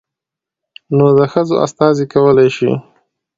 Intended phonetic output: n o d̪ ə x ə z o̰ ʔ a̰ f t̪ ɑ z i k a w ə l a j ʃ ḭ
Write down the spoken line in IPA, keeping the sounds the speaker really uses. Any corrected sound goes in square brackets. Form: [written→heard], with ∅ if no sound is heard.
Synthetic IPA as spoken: n o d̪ ə x ə z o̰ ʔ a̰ [f→s] t̪ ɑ z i k a w ə l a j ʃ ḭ